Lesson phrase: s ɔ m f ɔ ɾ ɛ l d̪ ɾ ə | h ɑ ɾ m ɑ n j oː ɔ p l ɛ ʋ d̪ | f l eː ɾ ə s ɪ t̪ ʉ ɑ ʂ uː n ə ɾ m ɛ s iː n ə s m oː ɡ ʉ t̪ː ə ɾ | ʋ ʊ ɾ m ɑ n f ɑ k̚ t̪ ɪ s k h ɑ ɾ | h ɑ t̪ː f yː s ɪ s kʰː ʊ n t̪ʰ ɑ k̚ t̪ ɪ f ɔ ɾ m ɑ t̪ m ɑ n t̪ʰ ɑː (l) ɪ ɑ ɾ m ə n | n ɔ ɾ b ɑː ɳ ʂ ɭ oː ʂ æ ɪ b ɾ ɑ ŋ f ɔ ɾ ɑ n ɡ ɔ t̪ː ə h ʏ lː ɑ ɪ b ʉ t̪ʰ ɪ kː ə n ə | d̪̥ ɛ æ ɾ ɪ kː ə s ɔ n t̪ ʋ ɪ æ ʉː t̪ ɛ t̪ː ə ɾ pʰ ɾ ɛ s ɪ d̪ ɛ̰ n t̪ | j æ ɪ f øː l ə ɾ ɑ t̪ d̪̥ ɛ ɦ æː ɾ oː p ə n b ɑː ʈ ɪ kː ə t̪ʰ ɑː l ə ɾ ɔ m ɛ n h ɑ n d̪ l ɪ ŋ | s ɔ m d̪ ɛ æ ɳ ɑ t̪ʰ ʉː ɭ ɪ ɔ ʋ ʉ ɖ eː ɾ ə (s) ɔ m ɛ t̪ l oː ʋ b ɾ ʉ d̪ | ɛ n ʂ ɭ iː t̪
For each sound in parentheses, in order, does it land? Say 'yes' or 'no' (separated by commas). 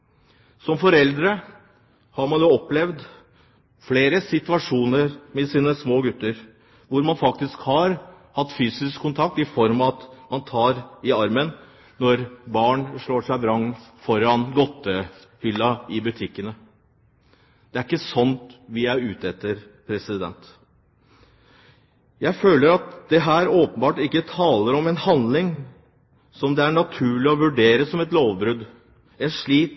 no, yes